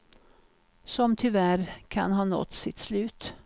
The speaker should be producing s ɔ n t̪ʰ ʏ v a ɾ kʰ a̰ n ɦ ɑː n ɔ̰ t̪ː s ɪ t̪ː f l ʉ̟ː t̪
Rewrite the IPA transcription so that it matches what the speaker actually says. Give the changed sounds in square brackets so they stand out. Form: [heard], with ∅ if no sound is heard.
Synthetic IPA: s ɔ [m] t̪ʰ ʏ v [æ] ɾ kʰ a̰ n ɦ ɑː n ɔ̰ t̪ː s ɪ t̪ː [s] l ʉ̟ː t̪